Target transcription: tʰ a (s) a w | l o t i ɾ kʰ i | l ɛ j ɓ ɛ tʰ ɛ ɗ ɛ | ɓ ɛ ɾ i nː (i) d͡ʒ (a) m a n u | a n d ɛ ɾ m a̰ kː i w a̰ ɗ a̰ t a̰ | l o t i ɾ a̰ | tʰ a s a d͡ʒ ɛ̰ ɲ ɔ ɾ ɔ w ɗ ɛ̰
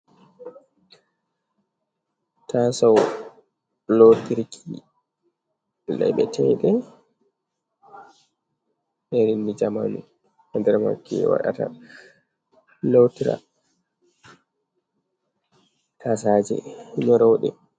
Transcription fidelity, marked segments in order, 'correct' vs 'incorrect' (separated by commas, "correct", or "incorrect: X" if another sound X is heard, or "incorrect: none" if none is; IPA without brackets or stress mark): correct, correct, correct